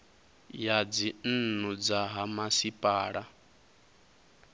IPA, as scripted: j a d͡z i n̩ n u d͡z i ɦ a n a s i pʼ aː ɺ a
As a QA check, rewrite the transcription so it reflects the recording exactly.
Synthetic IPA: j a d͡z i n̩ n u d͡z a ɦ a m a s i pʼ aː ɺ a